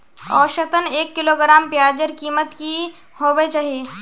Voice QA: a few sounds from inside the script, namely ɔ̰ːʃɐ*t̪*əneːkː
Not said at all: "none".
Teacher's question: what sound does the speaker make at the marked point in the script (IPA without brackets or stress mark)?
t̪